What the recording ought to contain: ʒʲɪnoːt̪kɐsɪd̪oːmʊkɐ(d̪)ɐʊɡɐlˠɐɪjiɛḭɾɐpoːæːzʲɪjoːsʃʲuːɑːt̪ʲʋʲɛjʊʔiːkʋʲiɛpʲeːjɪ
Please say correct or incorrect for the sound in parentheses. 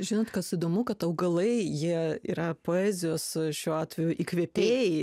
incorrect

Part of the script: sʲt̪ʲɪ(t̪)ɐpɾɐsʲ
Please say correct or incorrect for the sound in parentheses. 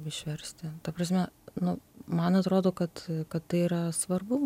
correct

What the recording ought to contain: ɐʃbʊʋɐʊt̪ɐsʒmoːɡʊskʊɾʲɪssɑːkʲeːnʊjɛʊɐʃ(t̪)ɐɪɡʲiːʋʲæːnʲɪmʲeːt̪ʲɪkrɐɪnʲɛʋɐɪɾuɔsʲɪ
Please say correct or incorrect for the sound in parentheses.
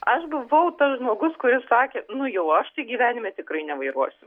correct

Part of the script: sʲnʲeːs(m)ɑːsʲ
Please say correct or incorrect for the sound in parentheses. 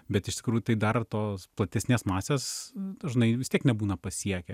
correct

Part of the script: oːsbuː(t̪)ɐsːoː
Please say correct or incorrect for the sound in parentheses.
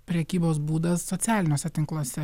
incorrect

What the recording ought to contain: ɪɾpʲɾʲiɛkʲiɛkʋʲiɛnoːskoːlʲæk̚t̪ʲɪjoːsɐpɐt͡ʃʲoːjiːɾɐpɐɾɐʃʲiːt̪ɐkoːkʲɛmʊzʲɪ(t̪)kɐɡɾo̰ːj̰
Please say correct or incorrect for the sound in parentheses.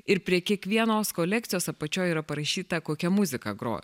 incorrect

